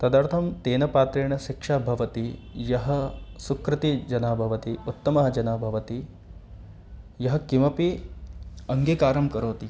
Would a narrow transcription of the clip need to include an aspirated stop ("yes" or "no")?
yes